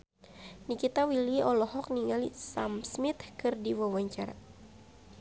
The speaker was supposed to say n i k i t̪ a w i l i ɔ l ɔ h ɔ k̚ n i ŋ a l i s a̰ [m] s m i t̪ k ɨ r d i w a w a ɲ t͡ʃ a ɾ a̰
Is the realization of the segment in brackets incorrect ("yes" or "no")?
no